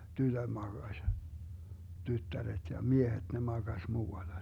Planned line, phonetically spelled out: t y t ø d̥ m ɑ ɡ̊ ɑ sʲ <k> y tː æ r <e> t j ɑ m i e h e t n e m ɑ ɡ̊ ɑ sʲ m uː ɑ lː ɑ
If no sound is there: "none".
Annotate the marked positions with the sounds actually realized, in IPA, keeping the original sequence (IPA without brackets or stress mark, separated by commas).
t, e